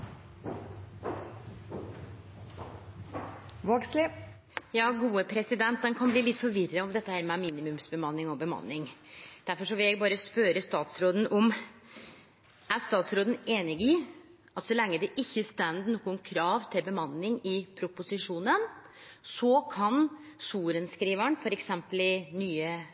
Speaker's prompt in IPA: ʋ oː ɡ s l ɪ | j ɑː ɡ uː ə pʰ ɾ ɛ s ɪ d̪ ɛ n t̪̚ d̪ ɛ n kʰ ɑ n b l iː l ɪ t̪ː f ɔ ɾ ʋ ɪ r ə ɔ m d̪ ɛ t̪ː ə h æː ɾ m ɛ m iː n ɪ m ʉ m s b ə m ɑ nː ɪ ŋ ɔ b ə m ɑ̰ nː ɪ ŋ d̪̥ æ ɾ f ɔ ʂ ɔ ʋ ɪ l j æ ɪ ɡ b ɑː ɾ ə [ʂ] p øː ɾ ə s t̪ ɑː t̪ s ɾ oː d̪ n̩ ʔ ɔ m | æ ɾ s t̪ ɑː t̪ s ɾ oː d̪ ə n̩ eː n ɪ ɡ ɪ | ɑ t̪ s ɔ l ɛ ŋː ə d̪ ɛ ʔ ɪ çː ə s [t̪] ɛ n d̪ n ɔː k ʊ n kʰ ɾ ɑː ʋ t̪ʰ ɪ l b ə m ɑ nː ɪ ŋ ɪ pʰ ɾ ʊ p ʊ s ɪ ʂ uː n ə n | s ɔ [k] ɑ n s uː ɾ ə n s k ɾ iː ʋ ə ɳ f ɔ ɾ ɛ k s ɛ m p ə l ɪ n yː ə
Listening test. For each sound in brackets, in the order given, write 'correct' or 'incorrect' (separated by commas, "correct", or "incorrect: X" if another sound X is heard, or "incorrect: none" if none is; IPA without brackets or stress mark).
incorrect: s, correct, incorrect: kʰ